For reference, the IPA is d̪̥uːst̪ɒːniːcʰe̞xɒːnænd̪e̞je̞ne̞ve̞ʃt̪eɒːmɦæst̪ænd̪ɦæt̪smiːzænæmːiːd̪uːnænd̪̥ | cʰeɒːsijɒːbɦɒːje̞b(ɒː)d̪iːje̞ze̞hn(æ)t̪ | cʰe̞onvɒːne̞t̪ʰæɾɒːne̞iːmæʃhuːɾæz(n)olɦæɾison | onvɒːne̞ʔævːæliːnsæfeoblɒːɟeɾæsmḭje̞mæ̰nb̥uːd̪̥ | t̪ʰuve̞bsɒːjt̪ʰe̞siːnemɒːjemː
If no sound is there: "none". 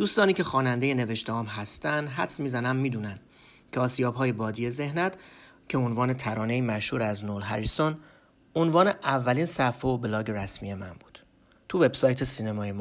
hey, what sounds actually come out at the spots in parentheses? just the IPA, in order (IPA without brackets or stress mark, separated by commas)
ɒː, æ, n